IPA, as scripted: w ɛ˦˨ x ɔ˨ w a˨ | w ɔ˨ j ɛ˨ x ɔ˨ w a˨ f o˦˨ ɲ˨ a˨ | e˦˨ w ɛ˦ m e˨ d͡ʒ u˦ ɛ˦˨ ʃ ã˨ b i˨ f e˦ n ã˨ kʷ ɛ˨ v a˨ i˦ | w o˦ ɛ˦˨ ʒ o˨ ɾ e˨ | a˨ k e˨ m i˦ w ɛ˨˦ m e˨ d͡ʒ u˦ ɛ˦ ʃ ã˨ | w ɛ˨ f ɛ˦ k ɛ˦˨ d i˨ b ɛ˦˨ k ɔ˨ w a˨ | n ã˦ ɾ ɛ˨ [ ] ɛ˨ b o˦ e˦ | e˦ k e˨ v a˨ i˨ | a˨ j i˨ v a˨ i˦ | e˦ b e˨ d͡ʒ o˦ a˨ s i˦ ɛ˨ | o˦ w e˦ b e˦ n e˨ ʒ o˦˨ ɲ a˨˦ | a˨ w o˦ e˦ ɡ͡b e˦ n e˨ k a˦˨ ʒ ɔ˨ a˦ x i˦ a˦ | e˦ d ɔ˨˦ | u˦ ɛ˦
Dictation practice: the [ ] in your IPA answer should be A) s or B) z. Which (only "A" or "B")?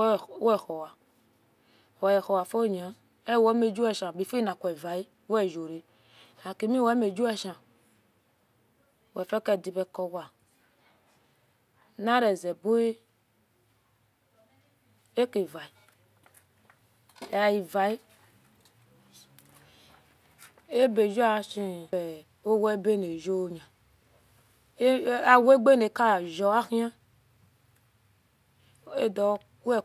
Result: B